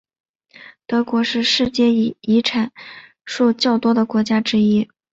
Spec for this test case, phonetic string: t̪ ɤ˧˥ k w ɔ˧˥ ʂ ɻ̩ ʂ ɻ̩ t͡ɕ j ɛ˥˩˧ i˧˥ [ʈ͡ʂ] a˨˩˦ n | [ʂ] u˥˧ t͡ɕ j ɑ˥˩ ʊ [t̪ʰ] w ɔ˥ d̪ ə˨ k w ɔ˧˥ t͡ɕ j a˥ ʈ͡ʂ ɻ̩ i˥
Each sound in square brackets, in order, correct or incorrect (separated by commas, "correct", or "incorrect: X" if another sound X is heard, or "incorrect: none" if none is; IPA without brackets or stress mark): incorrect: ʈ͡ʂʰ, correct, incorrect: t̪